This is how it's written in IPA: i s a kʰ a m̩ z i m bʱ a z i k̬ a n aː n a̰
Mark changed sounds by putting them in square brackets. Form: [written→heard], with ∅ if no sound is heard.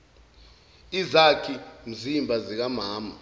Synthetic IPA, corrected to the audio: i [s→z] a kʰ [a→i] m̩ z i m bʱ a z i k̬ a [n→m] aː [n→m] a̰